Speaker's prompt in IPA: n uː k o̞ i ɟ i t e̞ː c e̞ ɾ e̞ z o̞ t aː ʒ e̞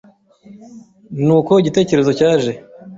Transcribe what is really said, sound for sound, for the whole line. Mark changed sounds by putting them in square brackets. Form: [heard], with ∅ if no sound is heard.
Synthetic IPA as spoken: n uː k o̞ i ɟ i t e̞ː c e̞ ɾ e̞ z o̞ [c] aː ʒ e̞